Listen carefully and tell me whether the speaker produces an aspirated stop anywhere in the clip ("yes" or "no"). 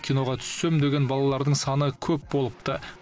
yes